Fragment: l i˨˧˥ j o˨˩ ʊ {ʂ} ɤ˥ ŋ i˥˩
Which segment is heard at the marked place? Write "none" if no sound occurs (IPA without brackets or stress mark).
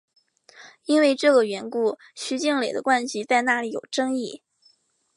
ʈ͡ʂ